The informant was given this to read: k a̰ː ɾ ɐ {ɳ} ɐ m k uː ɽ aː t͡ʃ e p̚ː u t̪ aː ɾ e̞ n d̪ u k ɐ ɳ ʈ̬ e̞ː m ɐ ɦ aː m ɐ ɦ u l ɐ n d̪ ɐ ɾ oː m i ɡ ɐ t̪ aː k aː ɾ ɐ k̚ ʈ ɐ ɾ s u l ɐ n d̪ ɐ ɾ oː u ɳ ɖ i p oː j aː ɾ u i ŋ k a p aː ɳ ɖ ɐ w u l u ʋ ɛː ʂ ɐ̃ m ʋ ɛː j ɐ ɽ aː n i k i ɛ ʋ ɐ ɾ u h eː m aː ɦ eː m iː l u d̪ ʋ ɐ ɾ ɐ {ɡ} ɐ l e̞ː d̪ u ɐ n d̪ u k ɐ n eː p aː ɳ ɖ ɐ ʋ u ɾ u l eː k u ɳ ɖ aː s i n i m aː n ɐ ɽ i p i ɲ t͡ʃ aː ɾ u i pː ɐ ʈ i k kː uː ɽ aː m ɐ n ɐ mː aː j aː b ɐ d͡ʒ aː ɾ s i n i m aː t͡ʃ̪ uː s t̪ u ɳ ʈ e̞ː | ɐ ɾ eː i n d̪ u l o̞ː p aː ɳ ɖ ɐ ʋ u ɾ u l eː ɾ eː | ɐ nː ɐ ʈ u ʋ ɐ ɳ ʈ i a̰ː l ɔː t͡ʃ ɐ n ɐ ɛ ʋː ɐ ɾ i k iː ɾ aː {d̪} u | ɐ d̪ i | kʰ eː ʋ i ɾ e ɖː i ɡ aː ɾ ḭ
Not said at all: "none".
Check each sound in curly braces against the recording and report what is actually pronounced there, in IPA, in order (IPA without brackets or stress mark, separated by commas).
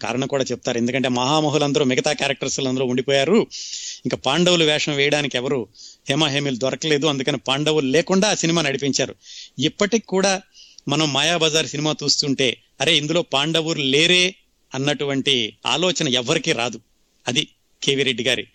ɳ, k, d̪